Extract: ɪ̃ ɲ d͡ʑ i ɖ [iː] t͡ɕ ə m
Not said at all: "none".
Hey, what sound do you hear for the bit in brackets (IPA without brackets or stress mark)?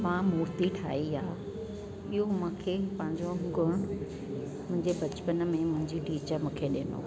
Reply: iː